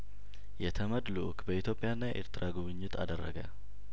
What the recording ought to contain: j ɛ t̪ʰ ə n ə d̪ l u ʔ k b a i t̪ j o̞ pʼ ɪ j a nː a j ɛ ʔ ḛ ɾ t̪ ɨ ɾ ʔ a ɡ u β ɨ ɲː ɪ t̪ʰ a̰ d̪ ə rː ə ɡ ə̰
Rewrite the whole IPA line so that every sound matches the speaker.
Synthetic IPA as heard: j ɛ t̪ʰ ə m ə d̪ l u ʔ k b ə i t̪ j o̞ pʼ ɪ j a nː a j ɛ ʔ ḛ ɾ t̪ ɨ ɾ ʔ a ɡ u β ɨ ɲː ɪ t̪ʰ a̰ d̪ ə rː ə ɡ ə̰